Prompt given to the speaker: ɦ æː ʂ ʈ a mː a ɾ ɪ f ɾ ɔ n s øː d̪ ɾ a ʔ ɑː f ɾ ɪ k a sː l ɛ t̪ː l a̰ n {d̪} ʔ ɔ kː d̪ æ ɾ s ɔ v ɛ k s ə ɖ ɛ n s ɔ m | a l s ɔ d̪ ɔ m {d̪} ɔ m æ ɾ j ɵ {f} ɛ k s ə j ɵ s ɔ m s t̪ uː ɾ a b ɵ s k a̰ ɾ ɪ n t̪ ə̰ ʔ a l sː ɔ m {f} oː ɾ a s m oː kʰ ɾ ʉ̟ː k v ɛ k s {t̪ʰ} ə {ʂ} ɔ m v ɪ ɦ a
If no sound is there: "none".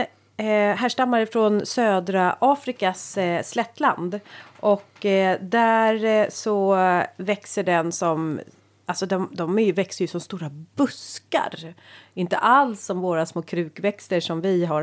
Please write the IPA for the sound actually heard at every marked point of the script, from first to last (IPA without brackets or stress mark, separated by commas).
d̪, d̪, v, v, t̪, ʂ